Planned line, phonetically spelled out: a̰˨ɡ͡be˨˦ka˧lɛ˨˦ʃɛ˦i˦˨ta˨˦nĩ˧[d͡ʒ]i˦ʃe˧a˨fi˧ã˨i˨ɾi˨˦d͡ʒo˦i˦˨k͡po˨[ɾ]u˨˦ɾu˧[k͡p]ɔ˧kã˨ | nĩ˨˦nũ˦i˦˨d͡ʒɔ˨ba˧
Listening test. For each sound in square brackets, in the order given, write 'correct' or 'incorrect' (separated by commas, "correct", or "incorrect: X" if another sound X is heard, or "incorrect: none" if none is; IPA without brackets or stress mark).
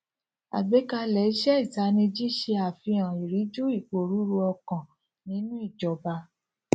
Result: correct, correct, incorrect: none